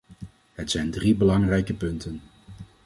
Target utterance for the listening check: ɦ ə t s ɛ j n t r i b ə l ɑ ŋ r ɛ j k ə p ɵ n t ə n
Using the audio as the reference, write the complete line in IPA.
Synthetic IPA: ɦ ə t s ɛ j n d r i b ə l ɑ ŋ r ɛ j k ə p ɵ n t ə n